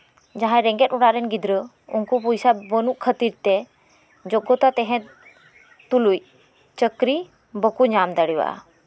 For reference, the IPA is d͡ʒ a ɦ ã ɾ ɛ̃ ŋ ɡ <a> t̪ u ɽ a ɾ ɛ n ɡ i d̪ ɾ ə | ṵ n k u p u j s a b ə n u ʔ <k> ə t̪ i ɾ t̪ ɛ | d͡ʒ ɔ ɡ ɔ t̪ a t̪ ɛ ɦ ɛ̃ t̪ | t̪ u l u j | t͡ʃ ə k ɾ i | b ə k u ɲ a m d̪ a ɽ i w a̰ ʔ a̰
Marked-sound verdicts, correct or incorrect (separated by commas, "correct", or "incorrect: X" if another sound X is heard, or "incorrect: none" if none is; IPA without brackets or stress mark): incorrect: ɛ, incorrect: kʰ